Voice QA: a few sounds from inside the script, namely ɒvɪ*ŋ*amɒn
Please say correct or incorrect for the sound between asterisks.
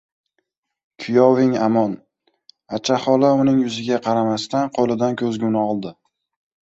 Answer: correct